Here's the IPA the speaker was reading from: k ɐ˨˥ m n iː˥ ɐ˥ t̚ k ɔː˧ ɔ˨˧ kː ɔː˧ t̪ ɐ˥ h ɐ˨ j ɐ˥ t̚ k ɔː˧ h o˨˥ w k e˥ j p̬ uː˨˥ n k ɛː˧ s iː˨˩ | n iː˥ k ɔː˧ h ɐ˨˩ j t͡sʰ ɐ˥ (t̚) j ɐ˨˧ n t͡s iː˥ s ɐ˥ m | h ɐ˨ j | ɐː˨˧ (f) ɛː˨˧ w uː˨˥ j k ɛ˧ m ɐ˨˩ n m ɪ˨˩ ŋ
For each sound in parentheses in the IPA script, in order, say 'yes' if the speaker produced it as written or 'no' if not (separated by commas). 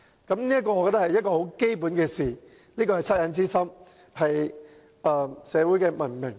yes, no